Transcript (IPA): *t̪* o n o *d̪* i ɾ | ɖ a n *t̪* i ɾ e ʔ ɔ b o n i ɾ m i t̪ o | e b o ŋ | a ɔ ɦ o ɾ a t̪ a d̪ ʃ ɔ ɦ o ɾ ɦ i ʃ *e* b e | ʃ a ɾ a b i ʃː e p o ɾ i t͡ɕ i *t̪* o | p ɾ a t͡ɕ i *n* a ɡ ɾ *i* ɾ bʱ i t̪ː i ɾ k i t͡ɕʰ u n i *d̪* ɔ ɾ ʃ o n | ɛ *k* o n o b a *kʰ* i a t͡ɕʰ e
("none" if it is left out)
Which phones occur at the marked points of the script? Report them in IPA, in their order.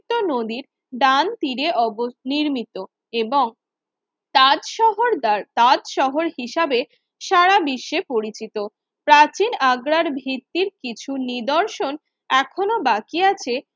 t̪, d̪, t̪, a, t̪, n, a, d̪, kʰ, k

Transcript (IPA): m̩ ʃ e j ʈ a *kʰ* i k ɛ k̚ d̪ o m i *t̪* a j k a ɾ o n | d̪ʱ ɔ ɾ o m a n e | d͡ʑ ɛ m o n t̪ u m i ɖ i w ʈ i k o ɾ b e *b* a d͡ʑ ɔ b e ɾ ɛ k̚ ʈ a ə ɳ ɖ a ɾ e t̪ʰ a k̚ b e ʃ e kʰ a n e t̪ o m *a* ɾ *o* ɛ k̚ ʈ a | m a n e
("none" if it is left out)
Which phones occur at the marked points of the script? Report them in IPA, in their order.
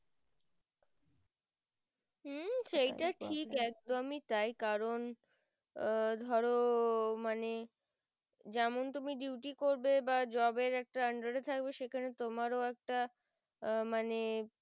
ʈʰ, t̪, b, a, o

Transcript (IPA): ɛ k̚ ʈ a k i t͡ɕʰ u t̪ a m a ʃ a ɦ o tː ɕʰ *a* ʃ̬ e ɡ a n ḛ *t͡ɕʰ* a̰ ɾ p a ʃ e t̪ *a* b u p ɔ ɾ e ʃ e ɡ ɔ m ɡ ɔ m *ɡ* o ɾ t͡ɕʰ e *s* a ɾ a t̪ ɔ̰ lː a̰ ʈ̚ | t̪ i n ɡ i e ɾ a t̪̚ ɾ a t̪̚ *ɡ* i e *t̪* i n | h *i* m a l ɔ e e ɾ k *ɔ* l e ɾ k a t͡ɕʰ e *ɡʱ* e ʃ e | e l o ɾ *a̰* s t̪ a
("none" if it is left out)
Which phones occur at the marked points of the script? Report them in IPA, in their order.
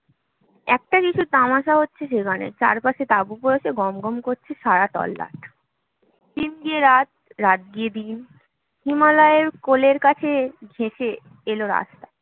e, t͡ɕ, a, k, ʃ, ɡ, d̪, i, o, ɡʱ, a̰

